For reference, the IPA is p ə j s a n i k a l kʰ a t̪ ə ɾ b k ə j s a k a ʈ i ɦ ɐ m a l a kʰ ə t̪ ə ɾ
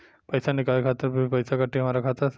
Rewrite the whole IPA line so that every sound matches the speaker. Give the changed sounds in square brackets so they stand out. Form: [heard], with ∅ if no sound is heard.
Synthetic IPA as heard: p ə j s a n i k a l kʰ a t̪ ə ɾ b [p] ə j s a k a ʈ i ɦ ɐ m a [ɾ] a kʰ [a] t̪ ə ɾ